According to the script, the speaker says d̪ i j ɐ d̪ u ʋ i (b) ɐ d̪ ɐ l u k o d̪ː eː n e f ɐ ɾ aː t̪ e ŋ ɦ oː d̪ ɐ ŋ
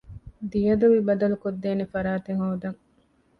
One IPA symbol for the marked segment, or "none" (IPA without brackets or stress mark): b